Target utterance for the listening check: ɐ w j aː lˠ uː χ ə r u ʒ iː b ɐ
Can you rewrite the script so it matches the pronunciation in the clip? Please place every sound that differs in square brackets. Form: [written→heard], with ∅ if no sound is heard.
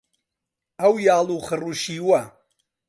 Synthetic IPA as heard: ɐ w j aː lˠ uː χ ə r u [ʒ→ʃ] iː [b→w] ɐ